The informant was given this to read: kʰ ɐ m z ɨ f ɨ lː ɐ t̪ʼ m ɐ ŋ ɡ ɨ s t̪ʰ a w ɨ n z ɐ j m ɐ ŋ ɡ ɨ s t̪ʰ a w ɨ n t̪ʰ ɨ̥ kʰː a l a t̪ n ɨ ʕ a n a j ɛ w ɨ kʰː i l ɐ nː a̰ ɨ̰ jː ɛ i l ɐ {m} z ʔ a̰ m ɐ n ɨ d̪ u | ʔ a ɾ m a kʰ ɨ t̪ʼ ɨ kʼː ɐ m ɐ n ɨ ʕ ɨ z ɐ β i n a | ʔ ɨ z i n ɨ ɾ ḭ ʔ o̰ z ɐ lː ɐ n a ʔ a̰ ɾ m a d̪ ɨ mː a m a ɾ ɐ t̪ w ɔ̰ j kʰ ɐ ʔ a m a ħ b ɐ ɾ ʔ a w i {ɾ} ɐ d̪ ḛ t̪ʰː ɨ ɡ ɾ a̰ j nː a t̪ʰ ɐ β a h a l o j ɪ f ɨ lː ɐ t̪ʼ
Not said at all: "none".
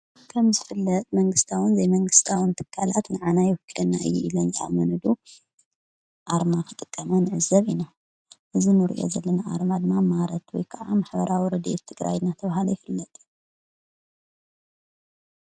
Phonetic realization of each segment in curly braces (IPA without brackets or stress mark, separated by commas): n, ɾ